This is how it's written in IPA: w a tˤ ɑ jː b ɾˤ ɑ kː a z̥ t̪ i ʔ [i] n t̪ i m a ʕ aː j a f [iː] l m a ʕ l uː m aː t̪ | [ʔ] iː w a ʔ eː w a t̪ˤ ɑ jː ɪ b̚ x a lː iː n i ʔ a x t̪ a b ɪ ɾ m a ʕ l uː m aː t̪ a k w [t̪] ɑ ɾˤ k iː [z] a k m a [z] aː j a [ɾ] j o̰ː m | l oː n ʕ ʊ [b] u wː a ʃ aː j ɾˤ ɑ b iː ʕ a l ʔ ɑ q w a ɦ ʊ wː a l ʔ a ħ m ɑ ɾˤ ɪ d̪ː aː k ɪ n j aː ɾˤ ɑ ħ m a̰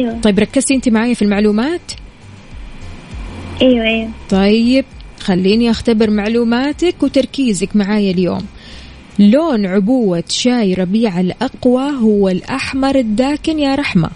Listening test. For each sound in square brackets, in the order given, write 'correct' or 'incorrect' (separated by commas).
incorrect, incorrect, correct, correct, correct, incorrect, incorrect, correct